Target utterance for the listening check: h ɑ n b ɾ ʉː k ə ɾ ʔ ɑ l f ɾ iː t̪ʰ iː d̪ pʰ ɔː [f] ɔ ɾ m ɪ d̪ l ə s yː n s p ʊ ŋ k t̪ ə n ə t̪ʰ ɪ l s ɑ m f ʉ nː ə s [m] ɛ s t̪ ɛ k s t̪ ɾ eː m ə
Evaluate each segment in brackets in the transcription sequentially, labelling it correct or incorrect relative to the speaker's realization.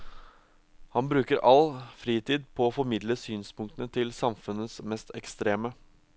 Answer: correct, correct

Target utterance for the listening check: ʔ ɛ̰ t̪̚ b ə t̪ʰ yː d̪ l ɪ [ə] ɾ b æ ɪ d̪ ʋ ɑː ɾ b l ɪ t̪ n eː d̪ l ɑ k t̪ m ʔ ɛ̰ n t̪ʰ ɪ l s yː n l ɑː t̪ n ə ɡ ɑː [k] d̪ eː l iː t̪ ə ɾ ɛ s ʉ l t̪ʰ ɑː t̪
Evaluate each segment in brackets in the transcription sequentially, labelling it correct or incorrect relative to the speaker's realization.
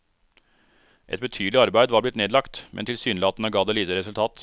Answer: incorrect, incorrect

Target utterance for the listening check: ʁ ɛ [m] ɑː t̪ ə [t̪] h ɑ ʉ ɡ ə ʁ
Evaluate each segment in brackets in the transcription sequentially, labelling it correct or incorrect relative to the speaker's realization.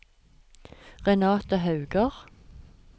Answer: incorrect, incorrect

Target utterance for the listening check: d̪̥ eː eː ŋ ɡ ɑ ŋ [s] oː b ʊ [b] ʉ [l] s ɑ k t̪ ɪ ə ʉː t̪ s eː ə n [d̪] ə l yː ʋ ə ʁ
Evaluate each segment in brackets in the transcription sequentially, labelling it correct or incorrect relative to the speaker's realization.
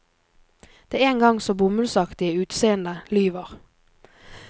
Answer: correct, incorrect, correct, correct

